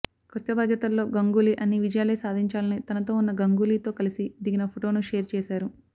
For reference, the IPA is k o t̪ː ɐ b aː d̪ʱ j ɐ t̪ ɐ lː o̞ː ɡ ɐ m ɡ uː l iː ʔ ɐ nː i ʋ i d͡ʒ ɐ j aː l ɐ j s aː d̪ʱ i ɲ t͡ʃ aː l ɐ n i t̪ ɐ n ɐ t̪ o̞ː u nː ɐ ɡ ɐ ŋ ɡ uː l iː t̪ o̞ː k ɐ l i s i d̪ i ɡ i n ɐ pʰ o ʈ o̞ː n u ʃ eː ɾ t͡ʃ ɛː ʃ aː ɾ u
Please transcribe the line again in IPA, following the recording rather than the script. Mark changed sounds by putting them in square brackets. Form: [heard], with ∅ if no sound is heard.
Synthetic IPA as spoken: k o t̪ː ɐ b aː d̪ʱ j ɐ t̪ ɐ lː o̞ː ɡ ɐ [ŋ] ɡ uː l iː ʔ ɐ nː i ʋ i d͡ʒ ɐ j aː l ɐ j s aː d̪ʱ i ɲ t͡ʃ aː l ɐ n i t̪ ɐ n ɐ t̪ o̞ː u nː ɐ ɡ ɐ ŋ ɡ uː l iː t̪ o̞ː k ɐ l i s i d̪ i ɡ i n ɐ pʰ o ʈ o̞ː n u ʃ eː ɾ t͡ʃ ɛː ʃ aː ɾ u